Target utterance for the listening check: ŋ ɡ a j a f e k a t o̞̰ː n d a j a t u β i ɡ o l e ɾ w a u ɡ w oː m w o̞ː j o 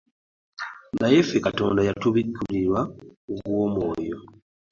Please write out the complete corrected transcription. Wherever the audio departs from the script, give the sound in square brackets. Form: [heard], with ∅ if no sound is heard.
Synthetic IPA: ŋ ɡ a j [e] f e k a t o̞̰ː n d a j a t u β i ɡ [u] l [i] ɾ w a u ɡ w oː m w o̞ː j o